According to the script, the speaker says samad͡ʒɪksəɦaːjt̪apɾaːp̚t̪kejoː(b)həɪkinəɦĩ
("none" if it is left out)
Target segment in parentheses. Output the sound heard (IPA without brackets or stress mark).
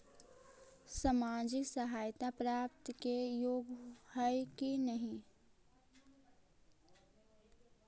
ɡ